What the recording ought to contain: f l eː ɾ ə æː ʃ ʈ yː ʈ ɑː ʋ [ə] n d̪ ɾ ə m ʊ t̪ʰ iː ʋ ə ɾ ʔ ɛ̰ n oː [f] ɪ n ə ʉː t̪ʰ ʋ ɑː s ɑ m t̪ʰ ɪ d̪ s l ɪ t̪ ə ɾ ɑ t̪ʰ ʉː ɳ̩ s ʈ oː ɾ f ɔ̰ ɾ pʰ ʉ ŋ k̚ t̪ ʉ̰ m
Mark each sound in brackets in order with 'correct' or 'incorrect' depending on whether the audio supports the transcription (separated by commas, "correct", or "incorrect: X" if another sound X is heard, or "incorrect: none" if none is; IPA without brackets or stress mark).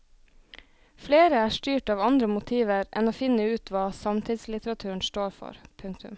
incorrect: ɑ, correct